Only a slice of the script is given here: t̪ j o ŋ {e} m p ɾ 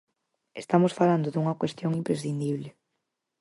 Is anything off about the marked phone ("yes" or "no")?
yes